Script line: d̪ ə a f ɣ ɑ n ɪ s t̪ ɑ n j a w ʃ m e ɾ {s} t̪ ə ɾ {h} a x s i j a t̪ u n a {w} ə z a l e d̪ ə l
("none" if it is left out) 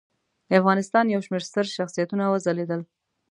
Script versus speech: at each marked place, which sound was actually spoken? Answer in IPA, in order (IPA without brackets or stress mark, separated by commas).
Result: s, ʃ, w